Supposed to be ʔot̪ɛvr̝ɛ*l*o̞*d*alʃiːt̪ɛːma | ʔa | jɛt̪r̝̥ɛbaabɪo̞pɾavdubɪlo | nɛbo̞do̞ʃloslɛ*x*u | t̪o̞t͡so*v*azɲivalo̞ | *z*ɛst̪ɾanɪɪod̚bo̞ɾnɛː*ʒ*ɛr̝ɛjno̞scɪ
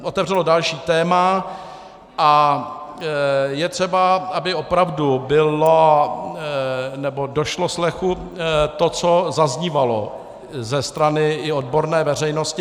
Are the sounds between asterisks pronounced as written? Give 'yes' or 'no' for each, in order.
yes, yes, yes, no, yes, no

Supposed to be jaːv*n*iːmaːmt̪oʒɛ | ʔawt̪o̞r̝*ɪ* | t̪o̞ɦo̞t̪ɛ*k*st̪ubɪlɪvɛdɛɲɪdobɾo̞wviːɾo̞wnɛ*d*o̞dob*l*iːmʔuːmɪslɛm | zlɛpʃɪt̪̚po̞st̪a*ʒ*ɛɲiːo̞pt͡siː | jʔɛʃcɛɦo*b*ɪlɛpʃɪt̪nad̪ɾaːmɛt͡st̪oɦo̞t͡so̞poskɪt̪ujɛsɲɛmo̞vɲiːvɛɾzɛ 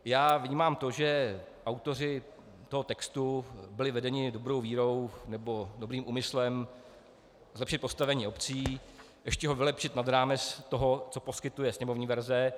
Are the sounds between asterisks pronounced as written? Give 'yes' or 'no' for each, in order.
no, yes, yes, no, no, no, no

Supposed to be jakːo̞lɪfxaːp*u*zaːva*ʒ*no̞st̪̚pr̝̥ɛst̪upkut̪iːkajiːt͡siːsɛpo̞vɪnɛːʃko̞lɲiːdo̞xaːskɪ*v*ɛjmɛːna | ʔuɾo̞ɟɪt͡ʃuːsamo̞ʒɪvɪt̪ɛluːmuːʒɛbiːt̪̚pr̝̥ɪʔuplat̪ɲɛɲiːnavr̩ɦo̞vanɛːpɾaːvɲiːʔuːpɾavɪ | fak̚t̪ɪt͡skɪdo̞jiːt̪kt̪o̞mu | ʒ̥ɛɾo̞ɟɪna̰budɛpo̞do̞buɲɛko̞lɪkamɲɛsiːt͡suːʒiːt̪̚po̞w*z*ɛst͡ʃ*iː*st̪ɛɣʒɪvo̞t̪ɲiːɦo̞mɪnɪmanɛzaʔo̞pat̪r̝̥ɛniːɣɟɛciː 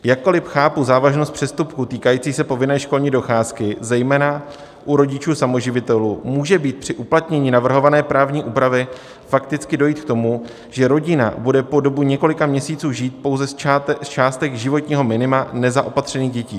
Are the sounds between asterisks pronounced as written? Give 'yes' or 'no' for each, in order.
yes, yes, no, yes, no

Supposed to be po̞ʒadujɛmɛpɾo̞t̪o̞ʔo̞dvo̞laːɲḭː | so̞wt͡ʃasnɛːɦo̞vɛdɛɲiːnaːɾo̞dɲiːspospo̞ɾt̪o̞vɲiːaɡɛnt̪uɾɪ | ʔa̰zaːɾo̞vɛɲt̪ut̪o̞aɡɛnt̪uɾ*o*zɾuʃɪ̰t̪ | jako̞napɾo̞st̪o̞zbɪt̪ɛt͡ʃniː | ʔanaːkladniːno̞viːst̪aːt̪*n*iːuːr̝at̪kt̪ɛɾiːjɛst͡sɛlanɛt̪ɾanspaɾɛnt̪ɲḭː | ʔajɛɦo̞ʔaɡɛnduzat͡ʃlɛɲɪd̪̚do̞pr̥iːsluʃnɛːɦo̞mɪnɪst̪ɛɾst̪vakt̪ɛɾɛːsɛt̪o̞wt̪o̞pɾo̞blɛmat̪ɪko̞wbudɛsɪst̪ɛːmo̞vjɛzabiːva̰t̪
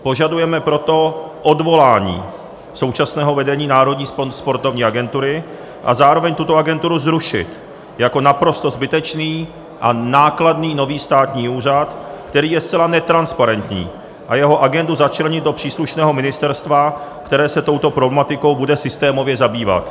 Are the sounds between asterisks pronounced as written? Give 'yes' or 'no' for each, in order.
no, no

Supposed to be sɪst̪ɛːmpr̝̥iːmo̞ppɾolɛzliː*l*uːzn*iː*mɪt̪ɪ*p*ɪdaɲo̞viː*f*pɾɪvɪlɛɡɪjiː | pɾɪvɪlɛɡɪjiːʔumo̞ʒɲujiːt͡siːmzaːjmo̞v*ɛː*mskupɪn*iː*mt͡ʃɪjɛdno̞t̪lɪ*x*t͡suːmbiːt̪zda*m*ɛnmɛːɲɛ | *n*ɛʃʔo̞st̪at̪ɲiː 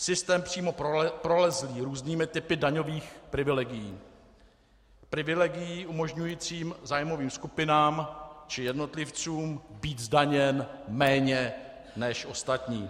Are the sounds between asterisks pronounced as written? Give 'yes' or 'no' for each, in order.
no, yes, yes, no, no, no, no, no, yes

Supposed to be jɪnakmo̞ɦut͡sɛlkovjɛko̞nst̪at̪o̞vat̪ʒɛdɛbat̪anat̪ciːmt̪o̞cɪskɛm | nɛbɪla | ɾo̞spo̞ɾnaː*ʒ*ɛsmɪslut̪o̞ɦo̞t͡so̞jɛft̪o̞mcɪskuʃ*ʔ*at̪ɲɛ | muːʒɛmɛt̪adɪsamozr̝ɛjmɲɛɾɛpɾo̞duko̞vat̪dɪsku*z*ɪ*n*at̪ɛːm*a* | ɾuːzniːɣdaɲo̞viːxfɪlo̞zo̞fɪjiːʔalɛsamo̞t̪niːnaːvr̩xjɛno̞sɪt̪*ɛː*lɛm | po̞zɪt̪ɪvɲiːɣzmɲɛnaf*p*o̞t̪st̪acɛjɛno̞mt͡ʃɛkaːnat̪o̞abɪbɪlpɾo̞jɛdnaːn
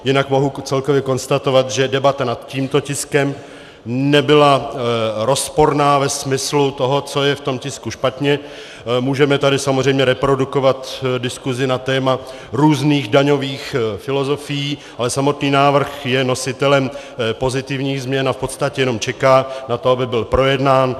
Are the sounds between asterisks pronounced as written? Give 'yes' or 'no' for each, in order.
no, no, yes, yes, yes, no, yes

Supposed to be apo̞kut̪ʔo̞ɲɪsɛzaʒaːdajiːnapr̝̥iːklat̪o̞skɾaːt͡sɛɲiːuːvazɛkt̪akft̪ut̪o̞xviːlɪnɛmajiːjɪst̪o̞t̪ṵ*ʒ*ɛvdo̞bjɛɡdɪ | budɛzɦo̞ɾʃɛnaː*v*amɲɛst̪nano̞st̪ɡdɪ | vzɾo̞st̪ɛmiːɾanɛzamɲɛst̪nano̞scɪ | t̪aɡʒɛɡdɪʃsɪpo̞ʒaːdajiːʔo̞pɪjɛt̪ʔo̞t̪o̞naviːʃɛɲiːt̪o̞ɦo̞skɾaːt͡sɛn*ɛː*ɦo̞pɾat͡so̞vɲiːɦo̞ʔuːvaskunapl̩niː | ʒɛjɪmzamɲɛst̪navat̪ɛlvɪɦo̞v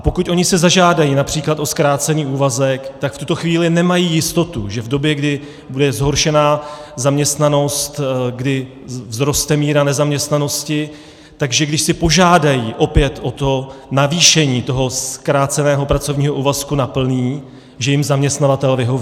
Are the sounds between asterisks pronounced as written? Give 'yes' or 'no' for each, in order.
yes, no, yes

